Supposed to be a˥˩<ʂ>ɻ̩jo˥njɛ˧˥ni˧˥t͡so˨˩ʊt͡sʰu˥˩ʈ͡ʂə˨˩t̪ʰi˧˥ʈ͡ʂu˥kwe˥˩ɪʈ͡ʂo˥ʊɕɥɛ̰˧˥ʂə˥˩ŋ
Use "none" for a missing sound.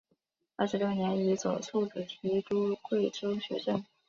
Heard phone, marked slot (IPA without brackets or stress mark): ʂ